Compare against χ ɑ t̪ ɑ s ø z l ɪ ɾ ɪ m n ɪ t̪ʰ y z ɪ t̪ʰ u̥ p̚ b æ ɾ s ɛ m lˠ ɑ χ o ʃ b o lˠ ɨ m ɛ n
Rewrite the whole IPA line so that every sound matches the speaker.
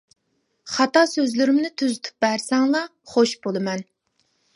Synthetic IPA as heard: χ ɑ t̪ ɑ s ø z l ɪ ɾ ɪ m n ɪ t̪ʰ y z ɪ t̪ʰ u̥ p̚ b æ ɾ s ɛ ŋ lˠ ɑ χ o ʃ b o lˠ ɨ m ɛ n